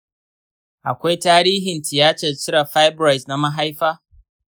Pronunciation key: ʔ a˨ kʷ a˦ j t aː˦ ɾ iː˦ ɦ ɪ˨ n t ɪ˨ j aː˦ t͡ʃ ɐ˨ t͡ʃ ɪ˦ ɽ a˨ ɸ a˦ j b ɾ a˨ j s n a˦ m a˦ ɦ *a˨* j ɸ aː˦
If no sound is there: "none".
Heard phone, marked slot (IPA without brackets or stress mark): a˦